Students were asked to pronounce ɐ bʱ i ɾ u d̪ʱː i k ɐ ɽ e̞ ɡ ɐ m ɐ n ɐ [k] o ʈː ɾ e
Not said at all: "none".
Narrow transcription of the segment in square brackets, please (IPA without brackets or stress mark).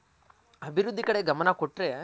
k